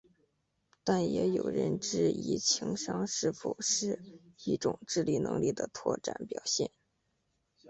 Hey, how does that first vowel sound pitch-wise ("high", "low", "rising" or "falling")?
falling